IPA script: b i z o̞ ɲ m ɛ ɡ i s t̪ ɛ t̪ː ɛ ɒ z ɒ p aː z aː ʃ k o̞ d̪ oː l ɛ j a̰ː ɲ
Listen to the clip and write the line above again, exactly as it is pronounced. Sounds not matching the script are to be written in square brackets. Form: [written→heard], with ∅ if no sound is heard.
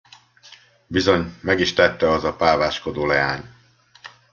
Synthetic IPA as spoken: b i z o̞ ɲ m ɛ ɡ i [s→ʃ] t̪ ɛ t̪ː ɛ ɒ z ɒ p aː [z→v] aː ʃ k o̞ d̪ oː l ɛ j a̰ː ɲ